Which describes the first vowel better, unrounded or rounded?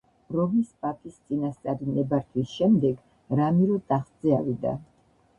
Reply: rounded